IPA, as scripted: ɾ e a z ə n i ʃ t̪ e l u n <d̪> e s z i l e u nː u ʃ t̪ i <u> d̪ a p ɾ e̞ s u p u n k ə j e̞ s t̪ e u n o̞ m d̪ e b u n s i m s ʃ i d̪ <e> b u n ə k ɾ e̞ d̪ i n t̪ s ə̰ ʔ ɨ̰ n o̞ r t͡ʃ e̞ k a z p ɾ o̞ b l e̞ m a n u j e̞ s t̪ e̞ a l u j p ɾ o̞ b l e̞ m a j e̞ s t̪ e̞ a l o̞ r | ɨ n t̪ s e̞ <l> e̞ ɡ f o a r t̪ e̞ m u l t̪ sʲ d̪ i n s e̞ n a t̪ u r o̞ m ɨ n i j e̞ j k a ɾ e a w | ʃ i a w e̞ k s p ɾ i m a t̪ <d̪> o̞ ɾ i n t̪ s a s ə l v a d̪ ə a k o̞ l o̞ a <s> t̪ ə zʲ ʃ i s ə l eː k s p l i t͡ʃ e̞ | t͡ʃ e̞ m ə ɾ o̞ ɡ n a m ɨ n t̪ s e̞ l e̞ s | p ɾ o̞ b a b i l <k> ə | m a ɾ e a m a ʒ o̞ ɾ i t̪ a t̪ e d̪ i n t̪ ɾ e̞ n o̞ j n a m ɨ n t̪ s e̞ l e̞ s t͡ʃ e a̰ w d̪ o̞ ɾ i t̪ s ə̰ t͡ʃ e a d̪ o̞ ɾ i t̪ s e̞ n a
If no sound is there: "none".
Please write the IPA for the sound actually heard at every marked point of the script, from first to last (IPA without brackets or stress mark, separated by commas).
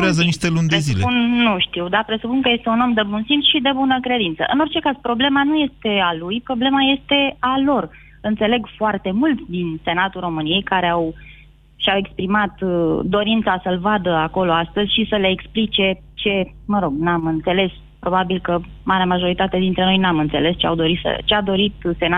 d̪, w, e, l, d̪, s, k